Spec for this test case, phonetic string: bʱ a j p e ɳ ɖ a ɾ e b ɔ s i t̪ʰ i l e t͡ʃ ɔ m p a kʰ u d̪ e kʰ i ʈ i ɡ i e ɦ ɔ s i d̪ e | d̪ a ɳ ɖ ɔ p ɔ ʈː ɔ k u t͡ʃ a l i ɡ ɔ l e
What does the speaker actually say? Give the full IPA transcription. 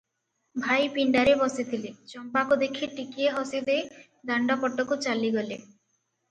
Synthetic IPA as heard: bʱ a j p i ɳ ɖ a ɾ e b ɔ s i t̪ʰ i l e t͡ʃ ɔ m p a k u d̪ e kʰ i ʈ i k i e ɦ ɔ s i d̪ e | d̪ a ɳ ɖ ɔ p ɔ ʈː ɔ k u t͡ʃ a l i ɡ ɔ l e